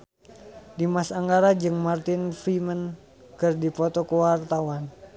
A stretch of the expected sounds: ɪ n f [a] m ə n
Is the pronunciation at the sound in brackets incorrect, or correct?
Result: incorrect